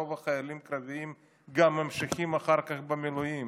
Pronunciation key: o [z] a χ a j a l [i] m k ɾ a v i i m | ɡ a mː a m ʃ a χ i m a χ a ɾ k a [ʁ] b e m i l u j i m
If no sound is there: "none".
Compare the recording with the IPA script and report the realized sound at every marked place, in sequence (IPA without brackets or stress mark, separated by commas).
v, i, χ